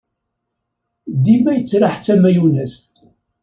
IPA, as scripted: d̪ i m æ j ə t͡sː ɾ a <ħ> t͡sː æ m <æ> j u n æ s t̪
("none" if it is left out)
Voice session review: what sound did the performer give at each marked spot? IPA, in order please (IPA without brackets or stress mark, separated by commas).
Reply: ħ, æ